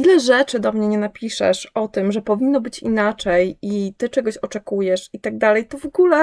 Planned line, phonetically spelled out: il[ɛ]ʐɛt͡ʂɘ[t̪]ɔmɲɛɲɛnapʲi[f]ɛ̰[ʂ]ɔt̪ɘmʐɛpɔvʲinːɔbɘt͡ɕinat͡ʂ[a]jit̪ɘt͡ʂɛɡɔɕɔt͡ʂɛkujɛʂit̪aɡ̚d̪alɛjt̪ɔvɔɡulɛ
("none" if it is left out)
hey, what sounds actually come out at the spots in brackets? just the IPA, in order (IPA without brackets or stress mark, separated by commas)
ɛ, d̪, ʂ, ʂ, ɛ